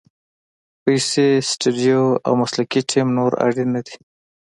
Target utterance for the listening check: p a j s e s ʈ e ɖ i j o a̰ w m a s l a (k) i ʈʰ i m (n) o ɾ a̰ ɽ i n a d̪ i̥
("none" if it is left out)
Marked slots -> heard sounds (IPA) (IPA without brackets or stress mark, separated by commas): k, n